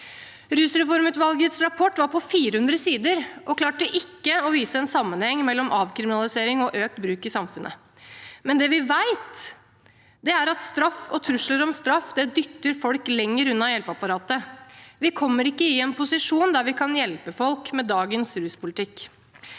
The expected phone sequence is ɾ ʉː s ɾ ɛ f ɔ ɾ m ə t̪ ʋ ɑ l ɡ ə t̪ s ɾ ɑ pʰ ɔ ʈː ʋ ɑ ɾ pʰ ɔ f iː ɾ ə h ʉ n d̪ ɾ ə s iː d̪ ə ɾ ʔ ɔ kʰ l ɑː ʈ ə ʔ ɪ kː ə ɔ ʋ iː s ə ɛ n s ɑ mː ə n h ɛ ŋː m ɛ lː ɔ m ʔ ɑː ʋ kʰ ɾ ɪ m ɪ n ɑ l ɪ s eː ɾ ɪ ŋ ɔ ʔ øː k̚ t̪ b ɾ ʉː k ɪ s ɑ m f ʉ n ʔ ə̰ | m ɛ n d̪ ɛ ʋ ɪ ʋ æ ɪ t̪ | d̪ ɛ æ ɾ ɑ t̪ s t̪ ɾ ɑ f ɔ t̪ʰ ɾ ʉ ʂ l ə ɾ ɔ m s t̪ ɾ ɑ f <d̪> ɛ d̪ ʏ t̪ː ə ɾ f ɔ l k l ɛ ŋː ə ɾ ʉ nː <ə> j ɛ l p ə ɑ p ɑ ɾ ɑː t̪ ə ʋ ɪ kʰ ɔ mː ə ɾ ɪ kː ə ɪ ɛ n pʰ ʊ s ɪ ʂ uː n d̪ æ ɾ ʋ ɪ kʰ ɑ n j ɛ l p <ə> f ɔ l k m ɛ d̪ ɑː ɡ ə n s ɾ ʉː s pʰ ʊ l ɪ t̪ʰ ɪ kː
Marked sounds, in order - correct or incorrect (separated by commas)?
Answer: correct, incorrect, correct